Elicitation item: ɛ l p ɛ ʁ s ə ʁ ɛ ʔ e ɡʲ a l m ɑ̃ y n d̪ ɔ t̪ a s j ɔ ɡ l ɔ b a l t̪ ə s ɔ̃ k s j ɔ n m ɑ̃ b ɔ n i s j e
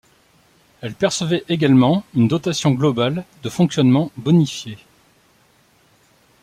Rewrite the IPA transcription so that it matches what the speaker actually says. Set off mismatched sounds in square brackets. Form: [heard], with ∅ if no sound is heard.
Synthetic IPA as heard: ɛ l p ɛ ʁ s ə [v] ɛ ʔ e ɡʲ a l m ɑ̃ y n d̪ ɔ t̪ a s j [ɔ̃] ɡ l ɔ b a l [d̪] ə [f] ɔ̃ k s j ɔ n m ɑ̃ b ɔ n i [f] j e

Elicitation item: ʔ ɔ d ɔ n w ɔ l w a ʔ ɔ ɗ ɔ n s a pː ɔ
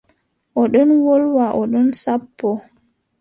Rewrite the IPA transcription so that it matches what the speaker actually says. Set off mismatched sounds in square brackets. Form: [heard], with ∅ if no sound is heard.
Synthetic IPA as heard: ʔ ɔ [ɗ] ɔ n w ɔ l w a ʔ ɔ ɗ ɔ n s a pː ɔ

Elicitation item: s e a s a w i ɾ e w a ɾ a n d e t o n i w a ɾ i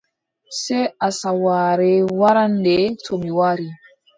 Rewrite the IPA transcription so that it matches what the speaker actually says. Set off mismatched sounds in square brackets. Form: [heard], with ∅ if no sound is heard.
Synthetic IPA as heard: s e a s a w [a] ɾ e w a ɾ a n d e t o [m] i w a ɾ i

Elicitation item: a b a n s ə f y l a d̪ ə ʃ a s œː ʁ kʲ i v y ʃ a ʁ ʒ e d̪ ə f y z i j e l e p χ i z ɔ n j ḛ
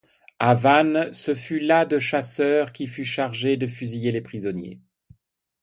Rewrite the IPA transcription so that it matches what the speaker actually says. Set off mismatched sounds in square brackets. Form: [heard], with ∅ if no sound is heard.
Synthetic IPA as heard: a [v] a n s ə f y l a d̪ ə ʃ a s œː ʁ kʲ i [f] y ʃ a ʁ ʒ e d̪ ə f y z i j e l e p χ i z ɔ n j ḛ

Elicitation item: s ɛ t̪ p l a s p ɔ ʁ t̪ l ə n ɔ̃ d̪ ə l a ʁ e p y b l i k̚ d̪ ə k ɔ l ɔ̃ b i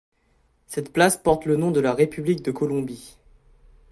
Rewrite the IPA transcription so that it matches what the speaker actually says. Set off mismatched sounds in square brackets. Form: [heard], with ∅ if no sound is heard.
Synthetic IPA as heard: s ɛ t̪ p l a s p ɔ ʁ t̪ l ə n ɔ̃ d̪ ə l a ʁ e p y b l i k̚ d̪ ə k ɔ l ɔ̃ b i

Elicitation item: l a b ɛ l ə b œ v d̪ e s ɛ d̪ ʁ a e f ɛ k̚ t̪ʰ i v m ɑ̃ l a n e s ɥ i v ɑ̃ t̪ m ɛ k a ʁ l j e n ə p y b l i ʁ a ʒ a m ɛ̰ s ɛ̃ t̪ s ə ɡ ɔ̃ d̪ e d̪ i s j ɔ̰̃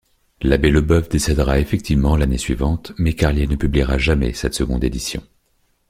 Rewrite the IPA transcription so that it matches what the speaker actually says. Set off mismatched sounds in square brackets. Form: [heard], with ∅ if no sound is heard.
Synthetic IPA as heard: l a b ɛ l ə b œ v d̪ e s ɛ d̪ ʁ a e f ɛ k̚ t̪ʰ i v m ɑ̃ l a n e s ɥ i v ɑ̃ t̪ m ɛ k a ʁ l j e n ə p y b l i ʁ a ʒ a m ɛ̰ s [ɛ] t̪ s ə ɡ ɔ̃ d̪ e d̪ i s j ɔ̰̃

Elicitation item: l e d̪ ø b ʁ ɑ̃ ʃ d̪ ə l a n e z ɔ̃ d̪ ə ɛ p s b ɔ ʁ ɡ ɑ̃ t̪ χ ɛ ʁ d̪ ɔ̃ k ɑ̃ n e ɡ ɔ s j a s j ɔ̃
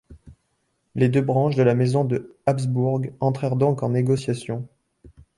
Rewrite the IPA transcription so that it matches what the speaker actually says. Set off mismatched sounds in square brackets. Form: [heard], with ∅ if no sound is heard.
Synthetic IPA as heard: l e d̪ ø b ʁ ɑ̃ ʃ d̪ ə l a [m] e z ɔ̃ d̪ ə [a] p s b [u] ʁ ɡ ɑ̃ t̪ χ ɛ ʁ d̪ ɔ̃ k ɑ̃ n e ɡ ɔ s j a s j ɔ̃

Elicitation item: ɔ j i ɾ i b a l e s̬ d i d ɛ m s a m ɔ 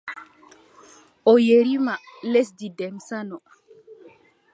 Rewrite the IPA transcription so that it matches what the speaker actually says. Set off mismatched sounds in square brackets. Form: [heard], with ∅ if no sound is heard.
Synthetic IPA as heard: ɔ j [e] ɾ i [m] a l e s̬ d i d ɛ m s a [n] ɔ

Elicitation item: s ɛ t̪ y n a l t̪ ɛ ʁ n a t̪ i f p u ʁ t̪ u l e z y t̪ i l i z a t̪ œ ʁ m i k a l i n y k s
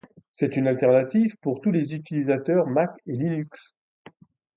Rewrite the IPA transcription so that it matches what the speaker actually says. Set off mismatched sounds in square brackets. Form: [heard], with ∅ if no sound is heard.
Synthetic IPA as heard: s ɛ t̪ y n a l t̪ ɛ ʁ n a t̪ i [v] p u ʁ t̪ u l e z y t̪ i l i z a t̪ œ ʁ m [a] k [e] l i n y k s

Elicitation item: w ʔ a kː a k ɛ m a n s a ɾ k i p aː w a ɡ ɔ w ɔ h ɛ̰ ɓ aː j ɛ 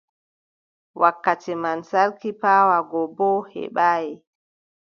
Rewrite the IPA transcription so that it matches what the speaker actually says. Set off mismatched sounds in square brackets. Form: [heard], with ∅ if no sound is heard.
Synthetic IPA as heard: w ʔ a kː a [t] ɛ m a n s a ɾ k i p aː w a ɡ ɔ [b] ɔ h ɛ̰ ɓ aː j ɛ

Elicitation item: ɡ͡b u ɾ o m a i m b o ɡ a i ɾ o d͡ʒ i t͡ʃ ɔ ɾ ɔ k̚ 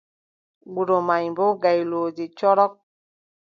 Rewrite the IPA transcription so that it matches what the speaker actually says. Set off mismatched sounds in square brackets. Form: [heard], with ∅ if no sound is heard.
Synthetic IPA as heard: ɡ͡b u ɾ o m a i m b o ɡ a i [l] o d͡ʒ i t͡ʃ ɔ ɾ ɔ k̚

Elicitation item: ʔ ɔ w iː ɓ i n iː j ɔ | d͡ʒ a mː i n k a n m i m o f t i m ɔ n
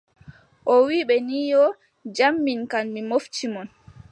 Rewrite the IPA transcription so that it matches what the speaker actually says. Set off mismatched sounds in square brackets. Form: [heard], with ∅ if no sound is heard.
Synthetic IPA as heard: ʔ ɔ w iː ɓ [ɛ] n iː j ɔ | d͡ʒ a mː i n k a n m i m o f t i m ɔ n

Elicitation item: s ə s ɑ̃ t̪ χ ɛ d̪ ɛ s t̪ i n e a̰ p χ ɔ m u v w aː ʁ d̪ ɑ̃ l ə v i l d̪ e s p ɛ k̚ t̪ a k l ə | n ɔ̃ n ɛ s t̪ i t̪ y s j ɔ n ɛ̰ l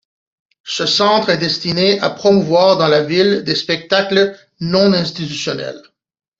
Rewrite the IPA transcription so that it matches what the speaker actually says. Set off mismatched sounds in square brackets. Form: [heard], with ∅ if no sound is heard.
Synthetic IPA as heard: s ə s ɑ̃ t̪ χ ɛ d̪ ɛ s t̪ i n e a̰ p χ ɔ m u v w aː ʁ d̪ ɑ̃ l [a] v i l d̪ e s p ɛ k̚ t̪ a k l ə | n ɔ̃ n [ɛ̃] s t̪ i t̪ y s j ɔ n ɛ̰ l

